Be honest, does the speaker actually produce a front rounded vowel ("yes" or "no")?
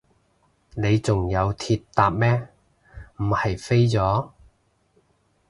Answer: no